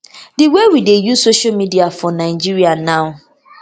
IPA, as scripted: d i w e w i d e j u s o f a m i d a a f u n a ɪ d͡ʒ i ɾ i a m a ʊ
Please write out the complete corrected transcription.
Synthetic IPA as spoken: d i w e w i d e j u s o ʃ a m i d i a f ɔ n a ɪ d͡ʒ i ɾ i a n a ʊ